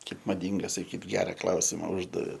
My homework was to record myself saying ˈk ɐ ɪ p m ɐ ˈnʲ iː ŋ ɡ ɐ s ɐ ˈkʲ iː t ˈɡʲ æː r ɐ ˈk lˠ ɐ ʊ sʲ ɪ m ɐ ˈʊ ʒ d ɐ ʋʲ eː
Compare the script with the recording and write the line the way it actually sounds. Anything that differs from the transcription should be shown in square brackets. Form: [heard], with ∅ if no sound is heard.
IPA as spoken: ˈk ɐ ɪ p m ɐ [ˈdʲ] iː ŋ ɡ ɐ s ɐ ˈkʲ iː t ˈɡʲ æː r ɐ ˈk lˠ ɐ ʊ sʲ ɪ m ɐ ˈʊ ʒ d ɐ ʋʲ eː

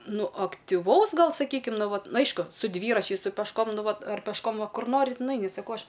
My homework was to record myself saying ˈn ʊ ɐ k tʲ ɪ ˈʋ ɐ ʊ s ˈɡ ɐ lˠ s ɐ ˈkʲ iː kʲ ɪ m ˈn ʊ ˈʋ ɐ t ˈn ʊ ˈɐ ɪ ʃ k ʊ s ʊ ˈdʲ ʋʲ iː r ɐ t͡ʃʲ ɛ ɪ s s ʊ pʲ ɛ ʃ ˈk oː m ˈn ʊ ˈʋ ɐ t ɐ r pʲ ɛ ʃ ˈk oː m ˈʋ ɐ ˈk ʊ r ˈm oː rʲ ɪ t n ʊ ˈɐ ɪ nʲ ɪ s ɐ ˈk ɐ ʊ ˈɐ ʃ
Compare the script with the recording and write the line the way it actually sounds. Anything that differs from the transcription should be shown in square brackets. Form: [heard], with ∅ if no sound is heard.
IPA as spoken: ˈn ʊ ɐ k tʲ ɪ ˈʋ ɐ ʊ s ˈɡ ɐ lˠ s ɐ ˈkʲ iː kʲ ɪ m ˈn ʊ ˈʋ ɐ t ˈn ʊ ˈɐ ɪ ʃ k ʊ s ʊ ˈdʲ ʋʲ iː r ɐ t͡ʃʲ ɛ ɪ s s ʊ pʲ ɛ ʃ ˈk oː m ˈn ʊ ˈʋ ɐ t ɐ r pʲ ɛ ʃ ˈk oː m ˈʋ ɐ ˈk ʊ r [ˈn] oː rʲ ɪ t n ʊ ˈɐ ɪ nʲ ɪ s ɐ ˈk ɐ ʊ ˈɐ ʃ

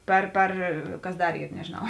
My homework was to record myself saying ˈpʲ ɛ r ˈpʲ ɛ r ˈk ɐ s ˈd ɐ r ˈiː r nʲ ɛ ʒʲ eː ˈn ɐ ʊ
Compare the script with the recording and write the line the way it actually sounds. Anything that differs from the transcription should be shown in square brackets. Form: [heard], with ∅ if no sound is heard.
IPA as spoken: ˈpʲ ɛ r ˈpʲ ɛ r ˈk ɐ s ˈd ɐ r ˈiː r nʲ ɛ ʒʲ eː ˈn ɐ ʊ

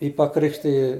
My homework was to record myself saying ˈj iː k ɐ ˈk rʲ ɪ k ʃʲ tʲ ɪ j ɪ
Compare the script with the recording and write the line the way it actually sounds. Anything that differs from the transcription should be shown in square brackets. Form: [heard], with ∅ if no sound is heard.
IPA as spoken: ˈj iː [p] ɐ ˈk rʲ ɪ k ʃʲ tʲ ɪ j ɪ

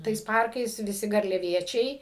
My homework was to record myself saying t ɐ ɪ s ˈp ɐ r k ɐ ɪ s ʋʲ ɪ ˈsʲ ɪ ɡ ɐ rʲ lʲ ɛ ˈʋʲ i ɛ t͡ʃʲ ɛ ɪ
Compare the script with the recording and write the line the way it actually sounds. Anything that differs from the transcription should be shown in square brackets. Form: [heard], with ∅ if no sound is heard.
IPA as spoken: t ɐ ɪ s ˈp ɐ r k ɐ ɪ s ʋʲ ɪ ˈsʲ ɪ ɡ ɐ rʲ lʲ ɛ ˈʋʲ i ɛ t͡ʃʲ ɛ ɪ

